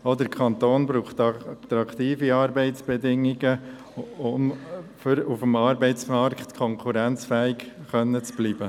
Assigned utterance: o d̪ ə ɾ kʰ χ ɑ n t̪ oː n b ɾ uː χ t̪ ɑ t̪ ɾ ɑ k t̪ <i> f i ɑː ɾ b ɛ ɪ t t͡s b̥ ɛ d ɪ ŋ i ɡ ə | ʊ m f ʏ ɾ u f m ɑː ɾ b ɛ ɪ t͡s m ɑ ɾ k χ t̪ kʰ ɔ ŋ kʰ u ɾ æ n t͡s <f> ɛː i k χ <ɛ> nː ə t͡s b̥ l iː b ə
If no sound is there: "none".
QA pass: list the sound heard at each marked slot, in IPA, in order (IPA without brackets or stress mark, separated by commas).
iː, f, œ